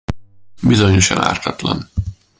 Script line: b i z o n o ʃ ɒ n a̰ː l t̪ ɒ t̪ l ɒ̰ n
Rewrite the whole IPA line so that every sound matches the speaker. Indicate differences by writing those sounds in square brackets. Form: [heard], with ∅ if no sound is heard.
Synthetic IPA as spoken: b i z o [ɲ] o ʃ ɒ n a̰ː [r] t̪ ɒ t̪ l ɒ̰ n